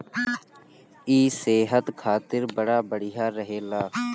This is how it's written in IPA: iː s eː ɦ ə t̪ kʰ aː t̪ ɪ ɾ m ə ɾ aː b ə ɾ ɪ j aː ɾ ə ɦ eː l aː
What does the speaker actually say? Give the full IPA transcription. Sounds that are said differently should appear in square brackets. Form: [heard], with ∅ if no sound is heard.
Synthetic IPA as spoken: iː s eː ɦ ə t̪ kʰ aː t̪ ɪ ɾ [b] ə [ɽ] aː b ə [ɽ] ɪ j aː ɾ ə ɦ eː l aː